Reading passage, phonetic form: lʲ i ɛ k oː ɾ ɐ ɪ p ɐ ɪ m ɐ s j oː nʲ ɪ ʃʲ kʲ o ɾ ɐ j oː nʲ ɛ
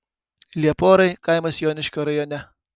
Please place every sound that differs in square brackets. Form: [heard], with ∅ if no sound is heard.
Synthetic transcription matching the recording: lʲ i ɛ [p] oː ɾ ɐ ɪ [k] ɐ ɪ m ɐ s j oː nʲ ɪ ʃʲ kʲ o ɾ ɐ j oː nʲ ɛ